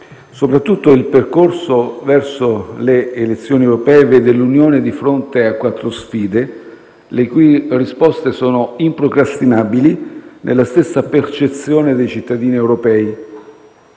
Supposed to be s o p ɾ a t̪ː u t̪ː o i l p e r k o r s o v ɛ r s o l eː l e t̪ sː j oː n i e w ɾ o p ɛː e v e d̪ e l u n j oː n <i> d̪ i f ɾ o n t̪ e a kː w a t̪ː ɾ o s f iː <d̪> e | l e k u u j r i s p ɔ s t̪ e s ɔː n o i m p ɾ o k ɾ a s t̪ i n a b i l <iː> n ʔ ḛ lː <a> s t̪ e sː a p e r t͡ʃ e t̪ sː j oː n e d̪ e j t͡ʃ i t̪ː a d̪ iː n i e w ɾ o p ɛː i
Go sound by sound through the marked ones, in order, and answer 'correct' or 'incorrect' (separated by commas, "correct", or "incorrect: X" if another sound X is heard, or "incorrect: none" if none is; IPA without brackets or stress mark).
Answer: incorrect: e, correct, incorrect: i, correct